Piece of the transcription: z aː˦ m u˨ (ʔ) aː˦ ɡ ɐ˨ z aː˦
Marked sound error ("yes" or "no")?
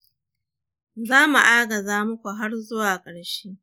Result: no